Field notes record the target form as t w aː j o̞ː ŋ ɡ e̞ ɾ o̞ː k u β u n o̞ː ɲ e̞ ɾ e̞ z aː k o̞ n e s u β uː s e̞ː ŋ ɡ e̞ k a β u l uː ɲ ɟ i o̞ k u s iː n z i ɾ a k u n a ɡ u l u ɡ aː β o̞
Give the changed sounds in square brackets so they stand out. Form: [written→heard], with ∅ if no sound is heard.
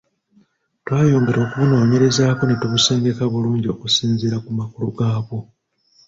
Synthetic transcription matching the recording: t w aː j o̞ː ŋ ɡ e̞ ɾ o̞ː k u β u n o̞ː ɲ e̞ ɾ e̞ z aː k o̞ n e [s→t] u β [uː→u] s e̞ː ŋ ɡ e̞ k a β u l uː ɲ ɟ i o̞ k u s iː n z i ɾ a k u [n→m] a [ɡ→k] u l u ɡ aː β o̞